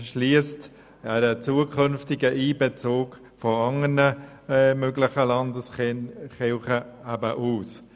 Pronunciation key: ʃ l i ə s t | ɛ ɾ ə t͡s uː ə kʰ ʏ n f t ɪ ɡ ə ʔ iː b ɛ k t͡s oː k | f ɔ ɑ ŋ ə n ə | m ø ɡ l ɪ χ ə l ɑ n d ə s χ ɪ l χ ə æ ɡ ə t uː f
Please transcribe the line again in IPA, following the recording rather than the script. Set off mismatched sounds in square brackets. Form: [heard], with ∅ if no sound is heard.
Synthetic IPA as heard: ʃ l i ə s t | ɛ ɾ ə t͡s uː ə kʰ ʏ n f t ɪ ɡ ə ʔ iː b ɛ [∅] t͡s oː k | f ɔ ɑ ŋ ə n ə | m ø ɡ l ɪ χ ə l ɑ n d ə s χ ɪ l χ ə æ [b] ə [ʔ] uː [s]